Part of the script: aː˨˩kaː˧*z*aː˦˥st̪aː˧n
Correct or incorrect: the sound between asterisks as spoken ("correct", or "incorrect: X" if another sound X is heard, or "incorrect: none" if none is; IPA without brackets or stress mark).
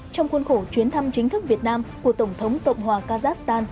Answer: correct